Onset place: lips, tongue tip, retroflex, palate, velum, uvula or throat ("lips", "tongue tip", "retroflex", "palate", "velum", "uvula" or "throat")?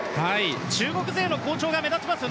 throat